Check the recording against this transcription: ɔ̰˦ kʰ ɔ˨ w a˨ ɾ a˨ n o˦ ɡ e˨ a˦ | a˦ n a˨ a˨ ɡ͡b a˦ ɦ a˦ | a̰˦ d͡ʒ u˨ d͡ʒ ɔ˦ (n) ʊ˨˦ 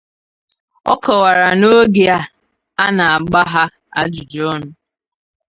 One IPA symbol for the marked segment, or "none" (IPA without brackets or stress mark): n